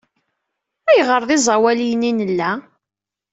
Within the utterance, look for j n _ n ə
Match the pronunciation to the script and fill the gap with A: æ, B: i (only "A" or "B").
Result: B